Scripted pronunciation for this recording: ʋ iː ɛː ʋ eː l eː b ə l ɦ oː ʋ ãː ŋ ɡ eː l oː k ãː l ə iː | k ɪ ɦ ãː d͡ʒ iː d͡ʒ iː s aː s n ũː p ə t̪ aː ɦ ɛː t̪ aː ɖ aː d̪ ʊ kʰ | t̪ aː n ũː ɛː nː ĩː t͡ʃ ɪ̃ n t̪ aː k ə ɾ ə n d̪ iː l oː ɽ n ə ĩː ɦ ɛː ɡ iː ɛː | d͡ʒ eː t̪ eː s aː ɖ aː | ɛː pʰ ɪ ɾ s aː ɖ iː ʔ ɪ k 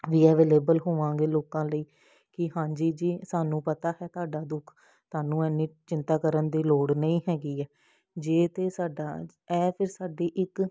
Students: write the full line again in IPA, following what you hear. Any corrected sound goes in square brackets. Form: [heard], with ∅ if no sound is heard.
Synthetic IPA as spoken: ʋ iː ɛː ʋ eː l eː b ə l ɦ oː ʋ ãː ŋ ɡ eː l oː k ãː l ə iː | k ɪ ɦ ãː d͡ʒ iː d͡ʒ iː s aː [∅] n ũː p ə t̪ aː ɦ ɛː t̪ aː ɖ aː d̪ ʊ kʰ | t̪ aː n ũː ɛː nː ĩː t͡ʃ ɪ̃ n t̪ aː k ə ɾ ə n d̪ iː l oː ɽ n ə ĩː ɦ ɛː ɡ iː ɛː | d͡ʒ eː t̪ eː s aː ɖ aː | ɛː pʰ ɪ ɾ s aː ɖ iː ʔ ɪ k